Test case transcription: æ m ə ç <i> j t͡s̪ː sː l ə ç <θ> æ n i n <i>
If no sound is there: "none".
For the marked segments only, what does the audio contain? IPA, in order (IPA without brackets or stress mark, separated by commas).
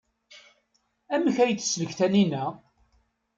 æ, θ, æ